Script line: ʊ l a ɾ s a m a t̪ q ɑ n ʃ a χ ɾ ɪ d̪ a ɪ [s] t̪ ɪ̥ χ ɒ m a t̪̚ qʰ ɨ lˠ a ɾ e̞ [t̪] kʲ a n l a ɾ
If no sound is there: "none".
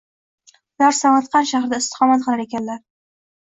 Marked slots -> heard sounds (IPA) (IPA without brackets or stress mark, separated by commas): s, none